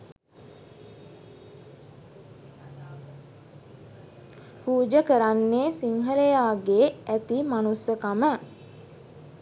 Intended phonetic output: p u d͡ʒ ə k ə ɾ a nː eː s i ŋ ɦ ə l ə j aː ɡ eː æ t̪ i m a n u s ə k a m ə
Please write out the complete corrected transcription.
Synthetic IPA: p uː d͡ʒ ə k ə ɾ a nː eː s i ŋ ɦ ə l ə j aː ɡ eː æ t̪ i m a n u s ə k a m ə